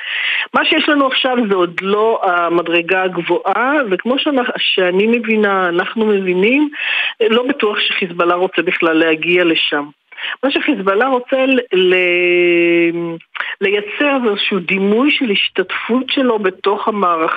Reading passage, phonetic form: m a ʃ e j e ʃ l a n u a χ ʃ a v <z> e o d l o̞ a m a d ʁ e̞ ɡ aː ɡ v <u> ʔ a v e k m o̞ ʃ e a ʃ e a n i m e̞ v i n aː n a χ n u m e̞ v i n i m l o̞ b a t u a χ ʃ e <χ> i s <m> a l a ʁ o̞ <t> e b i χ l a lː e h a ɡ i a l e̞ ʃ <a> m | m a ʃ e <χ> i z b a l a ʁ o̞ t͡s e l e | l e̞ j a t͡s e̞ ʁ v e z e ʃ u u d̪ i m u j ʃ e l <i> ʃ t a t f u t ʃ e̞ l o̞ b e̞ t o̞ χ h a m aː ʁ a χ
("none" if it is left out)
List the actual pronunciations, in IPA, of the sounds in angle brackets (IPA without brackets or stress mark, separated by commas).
z, o, χ, b, t͡s, a, χ, i